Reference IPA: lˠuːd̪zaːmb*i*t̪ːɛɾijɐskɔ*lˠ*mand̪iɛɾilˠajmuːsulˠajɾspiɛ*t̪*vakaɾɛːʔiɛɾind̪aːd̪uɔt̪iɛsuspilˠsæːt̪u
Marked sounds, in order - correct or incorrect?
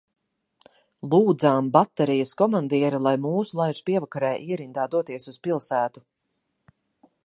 incorrect: a, incorrect: none, incorrect: none

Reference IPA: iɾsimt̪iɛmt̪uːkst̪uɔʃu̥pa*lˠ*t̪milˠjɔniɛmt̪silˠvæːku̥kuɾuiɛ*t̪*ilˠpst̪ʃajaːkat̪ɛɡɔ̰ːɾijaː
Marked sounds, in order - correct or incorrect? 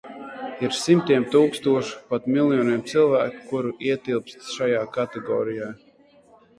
incorrect: none, correct

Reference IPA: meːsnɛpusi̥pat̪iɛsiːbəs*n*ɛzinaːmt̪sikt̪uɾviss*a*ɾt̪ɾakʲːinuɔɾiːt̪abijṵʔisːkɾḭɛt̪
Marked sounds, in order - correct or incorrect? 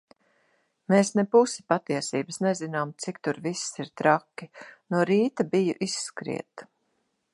correct, incorrect: i

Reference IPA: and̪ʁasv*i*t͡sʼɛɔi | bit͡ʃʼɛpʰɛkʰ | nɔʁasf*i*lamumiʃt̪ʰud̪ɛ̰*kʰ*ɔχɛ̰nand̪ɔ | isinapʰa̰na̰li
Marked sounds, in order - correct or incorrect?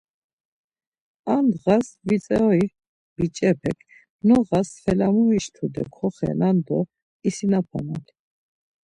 correct, incorrect: ɛ, correct

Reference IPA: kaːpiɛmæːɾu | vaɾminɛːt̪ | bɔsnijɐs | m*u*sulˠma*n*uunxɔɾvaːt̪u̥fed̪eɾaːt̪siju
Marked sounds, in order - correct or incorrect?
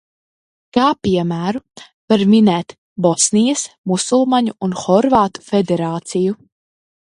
correct, incorrect: ɲ

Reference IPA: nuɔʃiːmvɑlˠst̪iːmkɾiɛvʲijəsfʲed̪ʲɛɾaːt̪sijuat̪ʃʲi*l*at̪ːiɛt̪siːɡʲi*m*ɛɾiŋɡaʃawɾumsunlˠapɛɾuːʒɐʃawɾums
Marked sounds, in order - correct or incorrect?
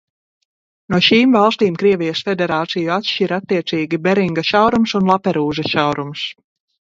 incorrect: ɾ, incorrect: b

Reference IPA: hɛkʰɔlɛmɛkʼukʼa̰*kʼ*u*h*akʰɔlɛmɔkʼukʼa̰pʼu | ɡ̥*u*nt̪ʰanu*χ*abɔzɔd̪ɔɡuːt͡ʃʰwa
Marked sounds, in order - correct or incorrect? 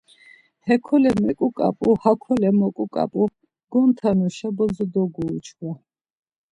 incorrect: pʼ, correct, incorrect: ɔ, incorrect: ʃ

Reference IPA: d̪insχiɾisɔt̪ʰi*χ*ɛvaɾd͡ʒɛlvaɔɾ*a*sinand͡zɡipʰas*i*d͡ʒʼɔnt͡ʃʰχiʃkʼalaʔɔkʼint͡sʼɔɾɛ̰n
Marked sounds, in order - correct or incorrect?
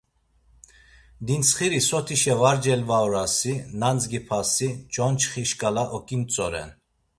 incorrect: ʃ, correct, correct

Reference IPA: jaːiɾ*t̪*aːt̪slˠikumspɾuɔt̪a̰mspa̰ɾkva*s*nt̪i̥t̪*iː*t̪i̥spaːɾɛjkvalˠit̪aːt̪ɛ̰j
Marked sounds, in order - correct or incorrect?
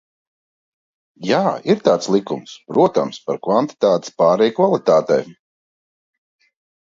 correct, incorrect: none, incorrect: aː

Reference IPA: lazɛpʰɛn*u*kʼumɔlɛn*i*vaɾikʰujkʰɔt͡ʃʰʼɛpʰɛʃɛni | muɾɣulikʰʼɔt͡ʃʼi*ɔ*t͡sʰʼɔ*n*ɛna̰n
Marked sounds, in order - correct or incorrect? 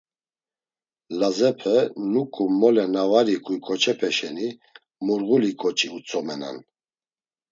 correct, incorrect: a, incorrect: u, incorrect: m

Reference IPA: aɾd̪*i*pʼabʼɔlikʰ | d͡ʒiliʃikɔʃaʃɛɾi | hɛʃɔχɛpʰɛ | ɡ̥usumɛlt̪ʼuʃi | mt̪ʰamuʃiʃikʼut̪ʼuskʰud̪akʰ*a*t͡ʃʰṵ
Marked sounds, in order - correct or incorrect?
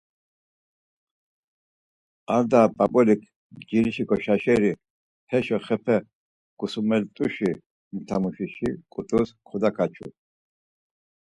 incorrect: a, correct

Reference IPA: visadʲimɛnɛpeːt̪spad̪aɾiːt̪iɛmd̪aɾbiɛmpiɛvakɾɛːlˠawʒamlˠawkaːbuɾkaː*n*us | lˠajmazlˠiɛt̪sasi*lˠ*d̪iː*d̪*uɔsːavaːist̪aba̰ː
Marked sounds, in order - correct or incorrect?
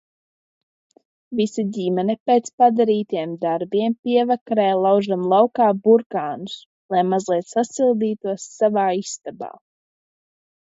correct, correct, incorrect: t̪

